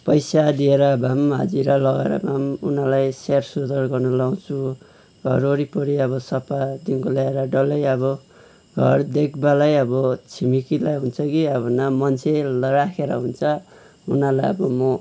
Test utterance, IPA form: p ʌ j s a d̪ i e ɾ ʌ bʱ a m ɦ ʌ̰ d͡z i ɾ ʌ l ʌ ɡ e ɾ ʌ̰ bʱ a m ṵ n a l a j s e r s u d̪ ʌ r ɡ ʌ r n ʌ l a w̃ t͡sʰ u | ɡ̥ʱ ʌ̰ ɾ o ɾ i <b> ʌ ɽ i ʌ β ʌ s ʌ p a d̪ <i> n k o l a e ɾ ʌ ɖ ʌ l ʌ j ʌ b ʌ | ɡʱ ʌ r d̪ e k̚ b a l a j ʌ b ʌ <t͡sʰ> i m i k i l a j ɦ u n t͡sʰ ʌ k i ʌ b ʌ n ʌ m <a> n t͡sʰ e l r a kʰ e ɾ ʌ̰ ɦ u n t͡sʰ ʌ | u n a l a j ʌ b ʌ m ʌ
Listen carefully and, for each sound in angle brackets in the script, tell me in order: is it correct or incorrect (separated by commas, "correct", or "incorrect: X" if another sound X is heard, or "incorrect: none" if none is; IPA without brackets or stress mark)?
incorrect: p, correct, correct, incorrect: ʌ